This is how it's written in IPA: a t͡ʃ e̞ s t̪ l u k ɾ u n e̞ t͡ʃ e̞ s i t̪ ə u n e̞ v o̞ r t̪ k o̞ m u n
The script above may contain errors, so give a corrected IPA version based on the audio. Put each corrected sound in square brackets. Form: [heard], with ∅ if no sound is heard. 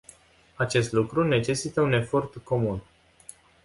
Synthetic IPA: a t͡ʃ e̞ s t̪ l u k ɾ u n e̞ t͡ʃ e̞ s i t̪ ə u n e̞ [f] o̞ r t̪ k o̞ m u n